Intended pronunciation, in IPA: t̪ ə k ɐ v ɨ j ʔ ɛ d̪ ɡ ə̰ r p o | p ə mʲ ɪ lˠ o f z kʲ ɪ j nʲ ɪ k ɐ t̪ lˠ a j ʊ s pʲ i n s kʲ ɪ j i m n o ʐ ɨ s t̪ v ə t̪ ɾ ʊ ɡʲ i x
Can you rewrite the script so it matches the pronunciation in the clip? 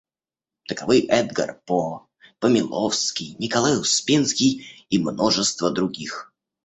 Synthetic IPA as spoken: t̪ ə k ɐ v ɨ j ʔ ɛ d̪ ɡ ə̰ r p o | p ə mʲ ɪ lˠ o f s kʲ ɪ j nʲ ɪ k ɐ lˠ a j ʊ s pʲ i n s kʲ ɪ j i m n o ʐ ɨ s t̪ v ə d̪ ɾ ʊ ɡʲ i x